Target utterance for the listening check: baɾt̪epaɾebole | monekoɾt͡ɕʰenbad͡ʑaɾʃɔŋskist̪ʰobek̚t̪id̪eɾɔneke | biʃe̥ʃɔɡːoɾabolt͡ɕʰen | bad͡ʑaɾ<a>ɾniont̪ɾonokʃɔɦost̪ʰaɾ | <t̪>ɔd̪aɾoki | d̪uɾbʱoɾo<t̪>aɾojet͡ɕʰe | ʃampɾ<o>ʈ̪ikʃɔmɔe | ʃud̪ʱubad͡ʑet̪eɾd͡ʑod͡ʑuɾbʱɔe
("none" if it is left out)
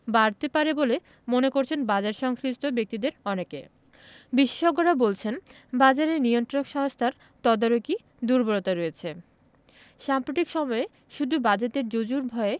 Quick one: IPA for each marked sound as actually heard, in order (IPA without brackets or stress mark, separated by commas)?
e, t̪, t̪, o